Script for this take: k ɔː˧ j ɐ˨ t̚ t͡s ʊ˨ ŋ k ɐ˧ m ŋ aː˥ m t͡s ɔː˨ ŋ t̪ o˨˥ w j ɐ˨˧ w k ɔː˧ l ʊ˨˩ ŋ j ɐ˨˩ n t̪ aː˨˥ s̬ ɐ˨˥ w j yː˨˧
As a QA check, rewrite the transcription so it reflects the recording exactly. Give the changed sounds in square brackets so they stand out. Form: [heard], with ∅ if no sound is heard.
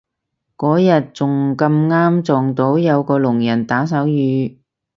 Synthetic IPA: k [ɔː˨˥] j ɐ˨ t̚ t͡s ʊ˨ ŋ k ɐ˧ m ŋ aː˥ m t͡s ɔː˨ ŋ t̪ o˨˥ w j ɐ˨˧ w k ɔː˧ l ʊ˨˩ ŋ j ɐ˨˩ n t̪ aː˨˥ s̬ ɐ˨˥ w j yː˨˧

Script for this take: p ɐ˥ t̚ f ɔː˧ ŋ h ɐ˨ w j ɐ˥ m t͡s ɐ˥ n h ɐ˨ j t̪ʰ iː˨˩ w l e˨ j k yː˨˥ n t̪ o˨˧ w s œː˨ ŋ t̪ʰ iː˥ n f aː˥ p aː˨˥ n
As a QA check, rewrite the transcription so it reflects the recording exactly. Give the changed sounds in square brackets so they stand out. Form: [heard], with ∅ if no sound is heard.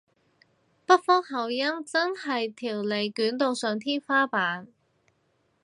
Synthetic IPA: p ɐ˥ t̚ f [ɔː˥] ŋ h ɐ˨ w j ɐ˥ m t͡s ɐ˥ n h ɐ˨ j t̪ʰ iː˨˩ w l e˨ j k yː˨˥ n t̪ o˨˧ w s œː˨ ŋ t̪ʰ iː˥ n f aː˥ p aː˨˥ n

